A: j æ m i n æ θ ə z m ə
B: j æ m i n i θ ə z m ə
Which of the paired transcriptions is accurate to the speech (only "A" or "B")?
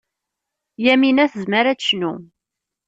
A